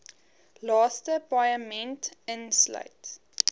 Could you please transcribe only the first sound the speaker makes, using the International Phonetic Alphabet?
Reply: l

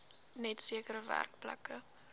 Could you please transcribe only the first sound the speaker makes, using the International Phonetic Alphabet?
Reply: n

